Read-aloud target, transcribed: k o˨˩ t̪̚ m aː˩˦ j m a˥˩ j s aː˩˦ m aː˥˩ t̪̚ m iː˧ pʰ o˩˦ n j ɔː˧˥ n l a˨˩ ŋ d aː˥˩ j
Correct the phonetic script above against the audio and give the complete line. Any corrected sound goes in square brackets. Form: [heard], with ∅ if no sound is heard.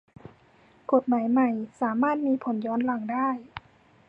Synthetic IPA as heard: k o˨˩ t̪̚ m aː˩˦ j m [a˨˩] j s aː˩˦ m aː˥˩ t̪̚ m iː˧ pʰ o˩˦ n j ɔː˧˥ n l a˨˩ ŋ d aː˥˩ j